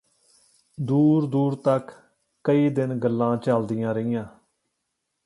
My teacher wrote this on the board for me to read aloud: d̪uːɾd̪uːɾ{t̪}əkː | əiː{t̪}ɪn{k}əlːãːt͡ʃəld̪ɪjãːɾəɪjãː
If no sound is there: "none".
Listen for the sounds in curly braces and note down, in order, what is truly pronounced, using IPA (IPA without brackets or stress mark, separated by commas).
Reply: t̪, d̪, ɡ